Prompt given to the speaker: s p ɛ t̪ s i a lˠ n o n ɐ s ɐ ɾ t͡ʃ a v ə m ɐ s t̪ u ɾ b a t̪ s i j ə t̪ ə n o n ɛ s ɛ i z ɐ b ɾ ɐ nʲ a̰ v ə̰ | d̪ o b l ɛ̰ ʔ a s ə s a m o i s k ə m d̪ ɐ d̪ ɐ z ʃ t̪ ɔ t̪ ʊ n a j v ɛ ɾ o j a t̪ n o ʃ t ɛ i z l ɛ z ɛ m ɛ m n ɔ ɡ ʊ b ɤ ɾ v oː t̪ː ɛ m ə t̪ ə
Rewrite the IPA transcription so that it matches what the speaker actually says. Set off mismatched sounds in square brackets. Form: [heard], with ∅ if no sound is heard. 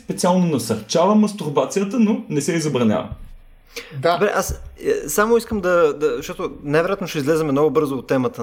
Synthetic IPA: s p ɛ t̪ s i a lˠ n o n ɐ s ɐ ɾ t͡ʃ a v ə m ɐ s t̪ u ɾ b a t̪ s i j ə t̪ ə n o n ɛ s ɛ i z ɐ b ɾ ɐ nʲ a̰ v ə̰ | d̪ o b [ɾ] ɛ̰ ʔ a s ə s a m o i s k ə m d̪ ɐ d̪ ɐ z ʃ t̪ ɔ t̪ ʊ n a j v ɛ ɾ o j a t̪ n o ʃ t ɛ i z l ɛ z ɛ m ɛ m n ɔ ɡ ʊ b ɤ ɾ [z] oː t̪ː ɛ m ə t̪ ə